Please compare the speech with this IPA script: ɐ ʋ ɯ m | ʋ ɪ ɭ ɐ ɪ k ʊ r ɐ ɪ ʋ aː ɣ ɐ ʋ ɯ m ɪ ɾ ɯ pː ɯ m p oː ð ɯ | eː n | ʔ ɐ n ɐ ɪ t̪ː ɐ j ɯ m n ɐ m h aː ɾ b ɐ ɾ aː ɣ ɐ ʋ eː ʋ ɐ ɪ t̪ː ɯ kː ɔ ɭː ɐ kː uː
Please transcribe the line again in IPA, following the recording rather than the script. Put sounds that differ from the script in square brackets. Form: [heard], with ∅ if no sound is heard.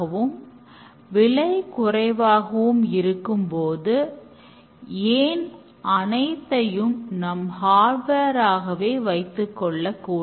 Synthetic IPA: ɐ ʋ ɯ m | ʋ ɪ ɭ ɐ ɪ k ʊ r ɐ ɪ ʋ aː ɣ ɐ ʋ ɯ m ɪ ɾ ɯ [kː] ɯ m p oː ð ɯ | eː n | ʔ ɐ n ɐ ɪ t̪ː ɐ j ɯ m n ɐ m h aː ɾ b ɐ ɾ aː ɣ ɐ ʋ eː ʋ ɐ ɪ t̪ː ɯ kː ɔ ɭː ɐ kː uː